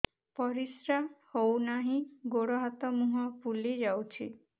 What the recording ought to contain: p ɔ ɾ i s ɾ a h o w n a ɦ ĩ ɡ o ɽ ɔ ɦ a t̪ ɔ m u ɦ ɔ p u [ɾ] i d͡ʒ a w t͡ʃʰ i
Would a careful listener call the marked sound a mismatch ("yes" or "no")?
yes